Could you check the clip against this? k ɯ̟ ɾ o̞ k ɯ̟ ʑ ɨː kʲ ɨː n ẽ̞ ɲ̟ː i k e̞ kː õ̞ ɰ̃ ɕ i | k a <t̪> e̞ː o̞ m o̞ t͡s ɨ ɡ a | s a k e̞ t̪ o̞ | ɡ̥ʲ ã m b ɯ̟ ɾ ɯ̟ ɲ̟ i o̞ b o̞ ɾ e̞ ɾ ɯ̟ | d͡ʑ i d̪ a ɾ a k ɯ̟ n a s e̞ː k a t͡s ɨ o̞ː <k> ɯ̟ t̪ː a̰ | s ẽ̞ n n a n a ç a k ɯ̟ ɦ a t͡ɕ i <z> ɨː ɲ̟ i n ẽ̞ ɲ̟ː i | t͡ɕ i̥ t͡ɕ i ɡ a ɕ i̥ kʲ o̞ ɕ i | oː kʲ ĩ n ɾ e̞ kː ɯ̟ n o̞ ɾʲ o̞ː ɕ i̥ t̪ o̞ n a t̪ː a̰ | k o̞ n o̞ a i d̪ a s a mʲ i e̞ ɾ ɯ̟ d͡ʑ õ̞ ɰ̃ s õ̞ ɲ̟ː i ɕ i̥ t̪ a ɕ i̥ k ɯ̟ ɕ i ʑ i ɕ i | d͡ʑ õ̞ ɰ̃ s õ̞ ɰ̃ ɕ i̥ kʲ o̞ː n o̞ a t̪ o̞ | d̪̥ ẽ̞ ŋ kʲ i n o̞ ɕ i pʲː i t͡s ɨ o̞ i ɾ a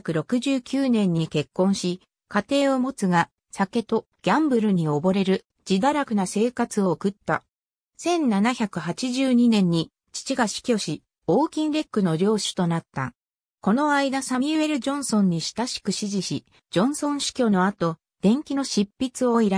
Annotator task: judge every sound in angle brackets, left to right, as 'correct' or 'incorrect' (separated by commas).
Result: correct, correct, incorrect